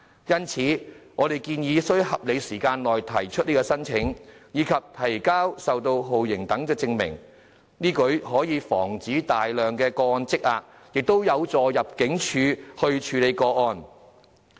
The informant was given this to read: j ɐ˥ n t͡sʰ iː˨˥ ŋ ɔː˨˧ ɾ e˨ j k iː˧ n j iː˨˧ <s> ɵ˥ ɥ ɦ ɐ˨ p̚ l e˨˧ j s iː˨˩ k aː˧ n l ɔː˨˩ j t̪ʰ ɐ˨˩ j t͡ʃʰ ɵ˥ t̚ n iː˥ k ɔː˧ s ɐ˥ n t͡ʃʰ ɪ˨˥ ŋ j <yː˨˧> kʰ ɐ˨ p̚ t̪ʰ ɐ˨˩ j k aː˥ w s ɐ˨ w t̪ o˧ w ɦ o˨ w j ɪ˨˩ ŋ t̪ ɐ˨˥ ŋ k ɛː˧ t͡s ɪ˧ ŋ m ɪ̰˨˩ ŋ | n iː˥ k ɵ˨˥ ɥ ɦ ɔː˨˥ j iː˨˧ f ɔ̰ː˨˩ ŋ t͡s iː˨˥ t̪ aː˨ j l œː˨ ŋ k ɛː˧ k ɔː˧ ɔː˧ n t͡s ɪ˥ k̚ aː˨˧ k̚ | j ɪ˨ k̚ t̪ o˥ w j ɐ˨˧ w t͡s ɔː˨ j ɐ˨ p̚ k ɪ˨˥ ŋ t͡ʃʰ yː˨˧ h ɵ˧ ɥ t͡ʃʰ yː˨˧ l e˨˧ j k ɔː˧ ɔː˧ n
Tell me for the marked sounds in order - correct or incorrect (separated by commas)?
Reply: correct, incorrect